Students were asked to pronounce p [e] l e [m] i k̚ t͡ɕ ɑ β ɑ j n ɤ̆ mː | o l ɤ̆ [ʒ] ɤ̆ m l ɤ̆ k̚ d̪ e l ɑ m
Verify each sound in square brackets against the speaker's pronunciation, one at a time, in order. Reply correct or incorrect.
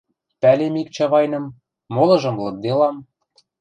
incorrect: æ, correct, correct

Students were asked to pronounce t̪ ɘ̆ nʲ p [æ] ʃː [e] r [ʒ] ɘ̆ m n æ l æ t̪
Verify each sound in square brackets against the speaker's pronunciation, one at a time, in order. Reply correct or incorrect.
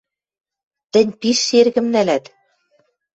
incorrect: i, correct, incorrect: ɣ

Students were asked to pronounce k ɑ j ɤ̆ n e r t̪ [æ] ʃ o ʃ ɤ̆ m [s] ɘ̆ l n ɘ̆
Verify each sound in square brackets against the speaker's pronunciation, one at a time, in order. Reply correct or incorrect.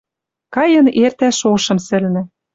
correct, correct

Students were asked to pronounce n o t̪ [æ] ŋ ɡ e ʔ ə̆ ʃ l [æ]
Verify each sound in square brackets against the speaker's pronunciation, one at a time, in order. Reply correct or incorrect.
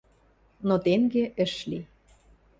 incorrect: e, incorrect: i

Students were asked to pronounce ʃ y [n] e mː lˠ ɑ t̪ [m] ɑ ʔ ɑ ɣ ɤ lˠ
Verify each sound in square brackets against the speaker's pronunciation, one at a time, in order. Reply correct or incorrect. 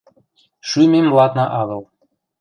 incorrect: m, incorrect: n

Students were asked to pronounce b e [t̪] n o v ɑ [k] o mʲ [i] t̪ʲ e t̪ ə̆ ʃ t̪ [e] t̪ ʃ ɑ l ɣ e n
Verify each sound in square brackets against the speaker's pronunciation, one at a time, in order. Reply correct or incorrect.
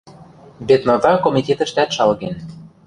correct, correct, correct, incorrect: æ

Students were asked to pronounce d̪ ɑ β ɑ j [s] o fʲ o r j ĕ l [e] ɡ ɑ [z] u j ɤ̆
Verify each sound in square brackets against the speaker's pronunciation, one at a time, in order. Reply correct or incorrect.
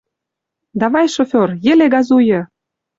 incorrect: ʃ, correct, correct

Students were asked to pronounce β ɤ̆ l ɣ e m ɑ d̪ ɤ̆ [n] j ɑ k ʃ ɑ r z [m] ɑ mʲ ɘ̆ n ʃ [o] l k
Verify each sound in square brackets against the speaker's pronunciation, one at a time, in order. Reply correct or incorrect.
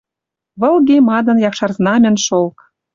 correct, incorrect: n, correct

